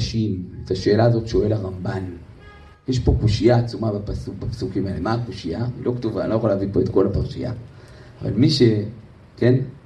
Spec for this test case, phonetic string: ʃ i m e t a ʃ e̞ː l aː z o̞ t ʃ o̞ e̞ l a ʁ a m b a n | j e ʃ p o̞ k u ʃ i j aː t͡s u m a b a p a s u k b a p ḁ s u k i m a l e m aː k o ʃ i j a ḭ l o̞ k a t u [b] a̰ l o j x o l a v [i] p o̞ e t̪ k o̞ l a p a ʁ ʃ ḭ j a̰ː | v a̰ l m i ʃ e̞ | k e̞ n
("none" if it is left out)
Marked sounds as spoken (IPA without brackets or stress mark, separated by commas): v, i